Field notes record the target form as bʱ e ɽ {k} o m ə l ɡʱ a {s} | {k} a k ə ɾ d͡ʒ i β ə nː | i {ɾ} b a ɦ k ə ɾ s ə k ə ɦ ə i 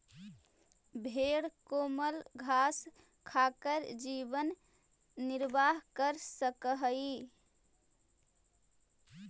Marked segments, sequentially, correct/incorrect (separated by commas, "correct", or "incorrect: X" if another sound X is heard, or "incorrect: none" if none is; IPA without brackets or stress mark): correct, correct, incorrect: kʰ, correct